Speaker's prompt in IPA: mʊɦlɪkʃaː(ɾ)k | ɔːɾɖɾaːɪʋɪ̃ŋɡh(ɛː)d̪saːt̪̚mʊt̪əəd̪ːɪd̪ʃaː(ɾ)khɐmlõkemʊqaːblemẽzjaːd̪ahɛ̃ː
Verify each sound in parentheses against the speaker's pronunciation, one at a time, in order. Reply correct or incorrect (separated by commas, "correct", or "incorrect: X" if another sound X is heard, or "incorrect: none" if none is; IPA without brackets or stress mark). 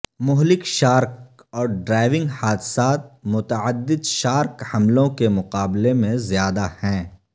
correct, incorrect: aː, correct